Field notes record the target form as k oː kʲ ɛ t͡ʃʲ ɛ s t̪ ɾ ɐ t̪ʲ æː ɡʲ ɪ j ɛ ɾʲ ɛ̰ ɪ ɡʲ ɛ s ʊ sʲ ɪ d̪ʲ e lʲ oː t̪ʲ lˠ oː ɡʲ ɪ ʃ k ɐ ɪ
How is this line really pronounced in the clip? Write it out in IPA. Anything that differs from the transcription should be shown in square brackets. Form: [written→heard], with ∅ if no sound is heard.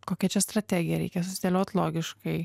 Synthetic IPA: k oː kʲ ɛ t͡ʃʲ ɛ s t̪ ɾ ɐ t̪ʲ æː ɡʲ ɪ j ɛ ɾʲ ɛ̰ ɪ [ɡʲ→kʲ] ɛ s ʊ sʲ ɪ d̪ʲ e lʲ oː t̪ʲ lˠ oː ɡʲ ɪ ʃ k ɐ ɪ